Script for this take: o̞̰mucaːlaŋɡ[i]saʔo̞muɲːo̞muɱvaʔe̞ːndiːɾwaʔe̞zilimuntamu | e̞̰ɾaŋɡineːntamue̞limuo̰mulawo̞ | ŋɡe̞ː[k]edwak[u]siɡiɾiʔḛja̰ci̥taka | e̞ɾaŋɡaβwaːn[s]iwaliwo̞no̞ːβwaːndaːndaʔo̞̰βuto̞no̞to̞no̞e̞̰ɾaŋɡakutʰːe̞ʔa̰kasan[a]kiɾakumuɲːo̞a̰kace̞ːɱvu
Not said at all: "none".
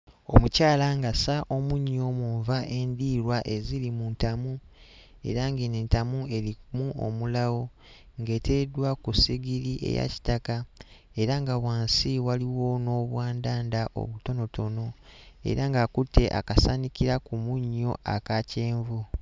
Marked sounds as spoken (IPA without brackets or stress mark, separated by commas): a, t, u, s, i